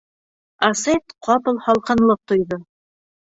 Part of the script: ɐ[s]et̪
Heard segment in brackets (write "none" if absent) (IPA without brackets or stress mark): s